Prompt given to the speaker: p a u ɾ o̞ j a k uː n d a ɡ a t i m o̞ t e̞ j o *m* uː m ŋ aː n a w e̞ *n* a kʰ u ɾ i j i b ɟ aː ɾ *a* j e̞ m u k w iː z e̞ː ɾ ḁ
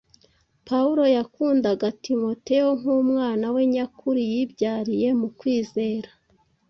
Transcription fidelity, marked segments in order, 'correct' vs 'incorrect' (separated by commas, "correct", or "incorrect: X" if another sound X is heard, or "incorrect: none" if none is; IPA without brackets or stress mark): incorrect: ŋ, incorrect: ɲ, incorrect: i